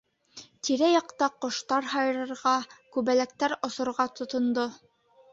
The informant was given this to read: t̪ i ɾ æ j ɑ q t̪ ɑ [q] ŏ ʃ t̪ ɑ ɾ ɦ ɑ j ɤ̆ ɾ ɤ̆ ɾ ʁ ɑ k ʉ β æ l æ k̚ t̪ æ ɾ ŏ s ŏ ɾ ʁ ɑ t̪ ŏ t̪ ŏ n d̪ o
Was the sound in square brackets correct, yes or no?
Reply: yes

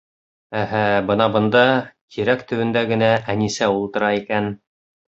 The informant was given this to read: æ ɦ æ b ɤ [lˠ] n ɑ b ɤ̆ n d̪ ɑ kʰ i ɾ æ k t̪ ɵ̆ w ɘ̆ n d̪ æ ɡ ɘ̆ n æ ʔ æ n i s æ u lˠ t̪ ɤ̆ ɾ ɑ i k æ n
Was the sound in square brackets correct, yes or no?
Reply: no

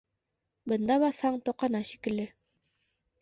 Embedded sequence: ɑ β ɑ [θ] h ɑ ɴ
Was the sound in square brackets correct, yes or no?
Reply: yes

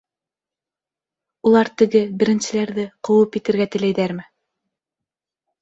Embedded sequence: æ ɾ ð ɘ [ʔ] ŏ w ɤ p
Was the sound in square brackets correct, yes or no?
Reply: no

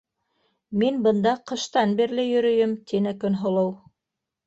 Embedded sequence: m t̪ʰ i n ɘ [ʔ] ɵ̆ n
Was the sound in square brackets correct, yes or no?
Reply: no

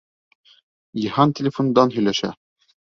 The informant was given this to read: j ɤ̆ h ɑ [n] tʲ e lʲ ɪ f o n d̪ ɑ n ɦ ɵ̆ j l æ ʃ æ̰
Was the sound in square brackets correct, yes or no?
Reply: yes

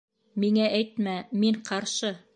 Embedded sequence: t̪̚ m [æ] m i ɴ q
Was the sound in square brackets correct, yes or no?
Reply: yes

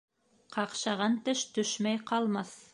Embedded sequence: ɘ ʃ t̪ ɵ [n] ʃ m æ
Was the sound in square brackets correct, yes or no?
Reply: no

